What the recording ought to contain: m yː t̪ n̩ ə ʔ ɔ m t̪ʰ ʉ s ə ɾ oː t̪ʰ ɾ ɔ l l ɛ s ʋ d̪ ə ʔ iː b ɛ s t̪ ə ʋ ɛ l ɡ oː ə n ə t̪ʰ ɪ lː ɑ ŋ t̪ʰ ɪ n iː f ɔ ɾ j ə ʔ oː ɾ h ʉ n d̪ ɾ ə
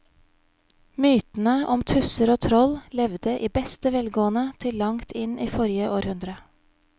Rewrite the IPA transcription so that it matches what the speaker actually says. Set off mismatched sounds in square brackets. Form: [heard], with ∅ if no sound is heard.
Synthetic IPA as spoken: m yː t̪ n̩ ə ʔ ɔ m t̪ʰ ʉ s ə ɾ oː t̪ʰ ɾ ɔ l l ɛ [∅] ʋ d̪ ə ʔ iː b ɛ s t̪ ə ʋ ɛ l ɡ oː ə n ə t̪ʰ ɪ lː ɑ ŋ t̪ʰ ɪ n iː f ɔ ɾ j ə ʔ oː ɾ h ʉ n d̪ ɾ ə